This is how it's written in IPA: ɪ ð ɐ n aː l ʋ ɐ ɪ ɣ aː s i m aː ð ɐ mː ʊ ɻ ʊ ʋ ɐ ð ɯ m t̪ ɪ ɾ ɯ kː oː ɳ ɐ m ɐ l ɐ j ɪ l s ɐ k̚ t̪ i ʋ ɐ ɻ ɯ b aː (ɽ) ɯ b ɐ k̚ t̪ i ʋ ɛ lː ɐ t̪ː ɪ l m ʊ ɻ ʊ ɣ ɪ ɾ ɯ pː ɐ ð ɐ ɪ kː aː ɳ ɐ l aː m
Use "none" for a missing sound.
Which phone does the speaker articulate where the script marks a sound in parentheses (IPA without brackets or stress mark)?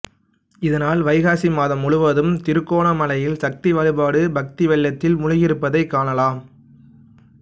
ɽ